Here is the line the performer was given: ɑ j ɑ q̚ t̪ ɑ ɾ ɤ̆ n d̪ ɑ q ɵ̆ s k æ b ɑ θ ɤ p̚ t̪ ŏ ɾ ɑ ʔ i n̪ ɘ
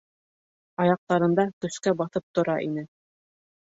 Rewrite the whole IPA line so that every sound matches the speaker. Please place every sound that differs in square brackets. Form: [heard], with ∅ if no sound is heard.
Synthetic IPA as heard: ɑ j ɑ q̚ t̪ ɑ ɾ ɤ̆ n d̪ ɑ [k] ɵ̆ s k æ b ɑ θ ɤ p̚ t̪ ŏ ɾ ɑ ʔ i n̪ ɘ